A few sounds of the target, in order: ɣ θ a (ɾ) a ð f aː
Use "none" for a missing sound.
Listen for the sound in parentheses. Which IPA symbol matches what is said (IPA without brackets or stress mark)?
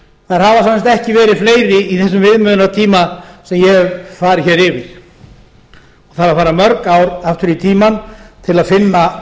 ɾ